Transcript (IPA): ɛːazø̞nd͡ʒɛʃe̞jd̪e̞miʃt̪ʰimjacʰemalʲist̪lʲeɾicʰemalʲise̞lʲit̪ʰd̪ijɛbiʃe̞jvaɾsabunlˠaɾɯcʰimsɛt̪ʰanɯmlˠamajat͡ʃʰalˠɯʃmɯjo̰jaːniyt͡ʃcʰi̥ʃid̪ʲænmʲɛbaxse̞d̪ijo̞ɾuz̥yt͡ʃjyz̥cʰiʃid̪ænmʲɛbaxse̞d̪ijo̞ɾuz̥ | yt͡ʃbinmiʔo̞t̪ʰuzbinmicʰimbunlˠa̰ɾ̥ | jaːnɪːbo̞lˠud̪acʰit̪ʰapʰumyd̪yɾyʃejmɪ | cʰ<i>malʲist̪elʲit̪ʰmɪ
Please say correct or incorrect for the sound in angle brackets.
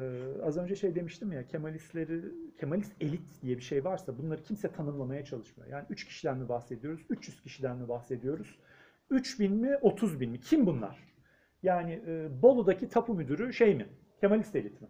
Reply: incorrect